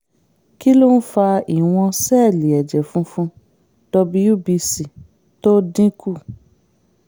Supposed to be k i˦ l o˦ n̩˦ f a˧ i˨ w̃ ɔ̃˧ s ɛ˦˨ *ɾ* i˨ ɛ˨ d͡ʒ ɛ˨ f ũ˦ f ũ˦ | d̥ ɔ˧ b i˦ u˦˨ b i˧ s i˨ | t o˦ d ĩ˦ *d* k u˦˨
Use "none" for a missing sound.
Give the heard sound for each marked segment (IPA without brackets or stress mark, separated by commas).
l, none